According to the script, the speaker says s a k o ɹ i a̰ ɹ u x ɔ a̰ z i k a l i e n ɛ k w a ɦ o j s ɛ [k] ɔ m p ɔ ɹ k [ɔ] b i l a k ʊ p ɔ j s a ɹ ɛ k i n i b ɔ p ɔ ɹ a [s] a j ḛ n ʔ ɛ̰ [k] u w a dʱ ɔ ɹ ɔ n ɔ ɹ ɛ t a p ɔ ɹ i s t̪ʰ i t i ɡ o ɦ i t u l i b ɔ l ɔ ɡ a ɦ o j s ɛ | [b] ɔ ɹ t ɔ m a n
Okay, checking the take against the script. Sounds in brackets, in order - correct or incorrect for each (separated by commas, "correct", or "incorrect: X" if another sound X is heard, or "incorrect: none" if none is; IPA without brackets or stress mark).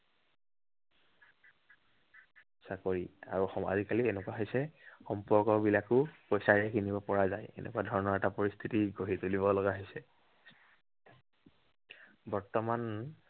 incorrect: x, correct, incorrect: z, correct, correct